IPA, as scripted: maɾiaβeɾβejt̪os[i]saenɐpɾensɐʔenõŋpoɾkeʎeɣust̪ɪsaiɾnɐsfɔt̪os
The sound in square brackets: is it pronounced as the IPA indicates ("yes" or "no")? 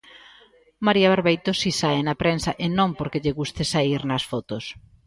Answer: yes